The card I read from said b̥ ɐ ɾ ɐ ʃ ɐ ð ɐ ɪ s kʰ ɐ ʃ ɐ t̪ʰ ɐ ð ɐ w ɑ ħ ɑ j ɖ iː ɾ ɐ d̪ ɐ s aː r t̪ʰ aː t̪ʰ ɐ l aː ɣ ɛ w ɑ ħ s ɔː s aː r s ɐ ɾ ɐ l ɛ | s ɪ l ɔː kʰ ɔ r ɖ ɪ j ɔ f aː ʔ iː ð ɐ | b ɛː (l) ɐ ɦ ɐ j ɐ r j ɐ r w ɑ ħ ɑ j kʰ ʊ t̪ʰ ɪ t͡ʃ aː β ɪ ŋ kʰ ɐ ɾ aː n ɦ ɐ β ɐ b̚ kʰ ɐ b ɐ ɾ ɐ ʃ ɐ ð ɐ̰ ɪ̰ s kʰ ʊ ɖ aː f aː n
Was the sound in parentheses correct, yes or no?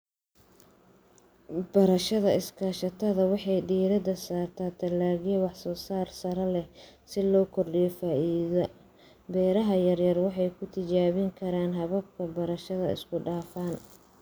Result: no